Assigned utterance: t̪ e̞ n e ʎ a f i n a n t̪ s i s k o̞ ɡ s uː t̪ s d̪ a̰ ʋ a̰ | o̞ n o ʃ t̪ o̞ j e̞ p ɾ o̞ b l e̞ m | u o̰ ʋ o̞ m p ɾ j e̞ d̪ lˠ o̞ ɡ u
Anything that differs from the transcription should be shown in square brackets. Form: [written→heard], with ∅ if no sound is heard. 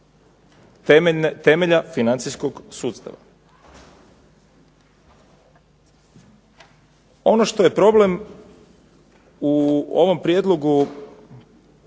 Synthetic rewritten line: t̪ e̞ [n→m] e ʎ a f i n a n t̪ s i s k o̞ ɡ s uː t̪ s [d̪→t̪] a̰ ʋ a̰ | o̞ n o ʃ t̪ o̞ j e̞ p ɾ o̞ b l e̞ m | u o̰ ʋ o̞ m p ɾ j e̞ d̪ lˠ o̞ ɡ u